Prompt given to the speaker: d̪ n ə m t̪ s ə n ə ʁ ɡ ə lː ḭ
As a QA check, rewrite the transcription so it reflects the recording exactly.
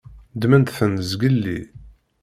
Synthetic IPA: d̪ m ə n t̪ θ ə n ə z ɡ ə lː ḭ